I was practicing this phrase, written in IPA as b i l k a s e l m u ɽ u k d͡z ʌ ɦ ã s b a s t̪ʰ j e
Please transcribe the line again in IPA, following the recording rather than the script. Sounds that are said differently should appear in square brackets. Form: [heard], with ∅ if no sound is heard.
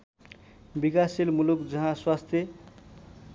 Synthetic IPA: b i [∅] k a s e l m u [l] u k d͡z ʌ ɦ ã s [w] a s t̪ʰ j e